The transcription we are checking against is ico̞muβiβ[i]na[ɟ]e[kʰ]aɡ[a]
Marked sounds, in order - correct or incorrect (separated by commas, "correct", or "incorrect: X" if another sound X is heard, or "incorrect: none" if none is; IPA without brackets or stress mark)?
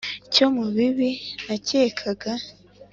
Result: correct, incorrect: c, correct, correct